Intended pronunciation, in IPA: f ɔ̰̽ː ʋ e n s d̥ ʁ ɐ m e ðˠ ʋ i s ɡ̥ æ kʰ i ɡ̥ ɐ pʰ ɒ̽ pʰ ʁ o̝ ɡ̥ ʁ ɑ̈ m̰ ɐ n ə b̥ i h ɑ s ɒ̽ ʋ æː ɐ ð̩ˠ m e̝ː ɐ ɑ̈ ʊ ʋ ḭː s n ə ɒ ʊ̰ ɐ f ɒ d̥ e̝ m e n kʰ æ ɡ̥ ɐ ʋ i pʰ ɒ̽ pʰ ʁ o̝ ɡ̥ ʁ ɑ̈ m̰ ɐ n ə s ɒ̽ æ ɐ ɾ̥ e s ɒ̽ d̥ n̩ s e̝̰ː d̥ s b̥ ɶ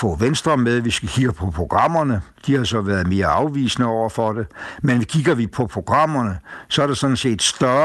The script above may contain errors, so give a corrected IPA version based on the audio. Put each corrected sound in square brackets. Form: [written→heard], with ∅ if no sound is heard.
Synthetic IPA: f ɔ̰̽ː ʋ e n s d̥ ʁ ɐ m e ðˠ ʋ i s ɡ̥ æ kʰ i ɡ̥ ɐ pʰ ɒ̽ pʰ ʁ o̝ ɡ̥ ʁ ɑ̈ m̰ ɐ n ə [b̥→d̥] i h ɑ s ɒ̽ ʋ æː ɐ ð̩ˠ m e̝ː ɐ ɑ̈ ʊ ʋ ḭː s n ə ɒ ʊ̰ ɐ f ɒ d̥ e̝ m e n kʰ [æ→i] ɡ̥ ɐ ʋ i pʰ ɒ̽ pʰ ʁ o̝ ɡ̥ ʁ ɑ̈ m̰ ɐ n ə s ɒ̽ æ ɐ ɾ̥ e s ɒ̽ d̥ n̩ s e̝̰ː d̥ s [b̥→d̥] ɶ